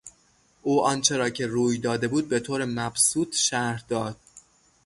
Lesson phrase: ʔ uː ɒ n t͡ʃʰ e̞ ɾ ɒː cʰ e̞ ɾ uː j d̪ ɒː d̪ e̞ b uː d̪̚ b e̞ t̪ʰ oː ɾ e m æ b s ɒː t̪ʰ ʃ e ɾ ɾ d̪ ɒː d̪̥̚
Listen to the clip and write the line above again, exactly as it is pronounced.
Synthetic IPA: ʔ uː ɒ n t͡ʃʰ e̞ ɾ ɒː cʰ e̞ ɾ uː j d̪ ɒː d̪ e̞ b uː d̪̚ b e̞ t̪ʰ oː ɾ e m æ b s uː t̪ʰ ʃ æ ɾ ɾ d̪ ɒː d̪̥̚